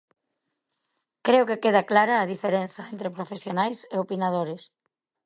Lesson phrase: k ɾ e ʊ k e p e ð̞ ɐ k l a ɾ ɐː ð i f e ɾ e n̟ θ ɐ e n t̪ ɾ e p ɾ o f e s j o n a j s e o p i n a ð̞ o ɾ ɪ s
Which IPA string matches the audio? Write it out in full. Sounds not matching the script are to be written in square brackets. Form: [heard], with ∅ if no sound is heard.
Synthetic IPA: k ɾ e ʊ k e [k] e ð̞ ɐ k l a ɾ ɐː ð i f e ɾ e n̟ θ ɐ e n t̪ ɾ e p ɾ o f e s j o n a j s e o p i n a ð̞ o ɾ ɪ s